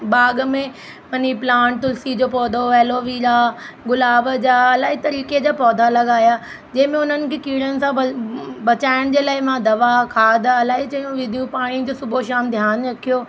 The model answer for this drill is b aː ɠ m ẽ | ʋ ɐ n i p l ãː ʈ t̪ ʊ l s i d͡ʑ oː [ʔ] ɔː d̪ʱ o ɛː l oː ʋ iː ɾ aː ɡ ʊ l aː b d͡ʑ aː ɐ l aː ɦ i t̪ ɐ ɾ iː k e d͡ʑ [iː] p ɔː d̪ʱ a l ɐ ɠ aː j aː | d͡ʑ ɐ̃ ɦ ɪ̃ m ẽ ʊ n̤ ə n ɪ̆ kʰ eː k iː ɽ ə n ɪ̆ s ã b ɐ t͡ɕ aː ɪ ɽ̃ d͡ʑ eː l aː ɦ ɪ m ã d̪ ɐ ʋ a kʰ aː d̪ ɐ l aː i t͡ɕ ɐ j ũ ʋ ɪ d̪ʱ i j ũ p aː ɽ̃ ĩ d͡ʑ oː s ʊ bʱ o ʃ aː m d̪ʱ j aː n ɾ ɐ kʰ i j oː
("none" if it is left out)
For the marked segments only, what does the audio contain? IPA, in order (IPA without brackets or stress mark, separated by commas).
p, aː